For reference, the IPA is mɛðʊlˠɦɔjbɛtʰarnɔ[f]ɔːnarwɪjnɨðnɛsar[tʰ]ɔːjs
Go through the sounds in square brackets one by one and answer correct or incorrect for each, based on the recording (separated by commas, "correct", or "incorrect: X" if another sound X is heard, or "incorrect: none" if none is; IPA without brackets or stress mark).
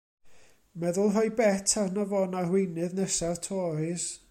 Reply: incorrect: v, correct